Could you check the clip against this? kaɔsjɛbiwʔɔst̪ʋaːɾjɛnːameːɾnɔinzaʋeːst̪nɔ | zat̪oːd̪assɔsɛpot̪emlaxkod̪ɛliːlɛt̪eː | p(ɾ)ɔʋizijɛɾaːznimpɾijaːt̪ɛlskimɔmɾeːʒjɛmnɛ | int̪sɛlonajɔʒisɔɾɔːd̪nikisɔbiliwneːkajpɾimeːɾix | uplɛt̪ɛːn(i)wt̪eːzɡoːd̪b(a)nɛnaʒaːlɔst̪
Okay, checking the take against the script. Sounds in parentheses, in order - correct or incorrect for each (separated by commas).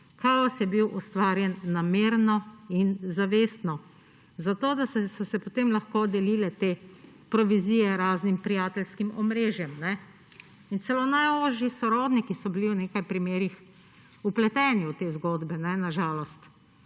correct, correct, incorrect